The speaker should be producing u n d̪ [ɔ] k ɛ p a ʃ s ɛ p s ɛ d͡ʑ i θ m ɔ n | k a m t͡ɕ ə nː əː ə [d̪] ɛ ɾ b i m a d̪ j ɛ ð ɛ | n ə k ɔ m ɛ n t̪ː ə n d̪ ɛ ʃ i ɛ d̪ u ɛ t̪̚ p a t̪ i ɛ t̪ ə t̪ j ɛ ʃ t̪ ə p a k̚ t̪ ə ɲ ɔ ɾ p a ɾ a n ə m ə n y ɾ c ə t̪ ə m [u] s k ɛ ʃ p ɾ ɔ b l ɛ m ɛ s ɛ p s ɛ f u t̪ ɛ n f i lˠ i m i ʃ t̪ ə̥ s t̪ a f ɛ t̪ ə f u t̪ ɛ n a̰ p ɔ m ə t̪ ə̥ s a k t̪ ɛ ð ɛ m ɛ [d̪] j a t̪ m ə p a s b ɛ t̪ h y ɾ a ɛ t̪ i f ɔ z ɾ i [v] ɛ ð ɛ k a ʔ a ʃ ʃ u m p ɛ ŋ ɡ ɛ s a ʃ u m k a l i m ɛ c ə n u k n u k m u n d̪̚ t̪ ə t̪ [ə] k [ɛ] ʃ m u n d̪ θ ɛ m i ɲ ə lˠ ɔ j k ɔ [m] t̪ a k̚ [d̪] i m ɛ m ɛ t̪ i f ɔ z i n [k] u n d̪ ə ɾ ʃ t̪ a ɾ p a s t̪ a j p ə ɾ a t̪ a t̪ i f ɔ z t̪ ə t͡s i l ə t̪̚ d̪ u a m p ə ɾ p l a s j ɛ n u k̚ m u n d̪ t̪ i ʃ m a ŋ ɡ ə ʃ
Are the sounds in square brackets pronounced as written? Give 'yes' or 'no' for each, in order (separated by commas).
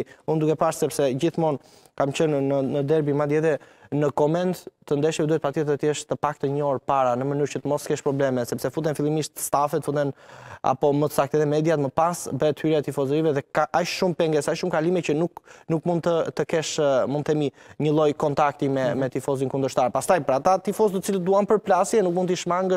no, yes, no, yes, yes, yes, yes, no, no, yes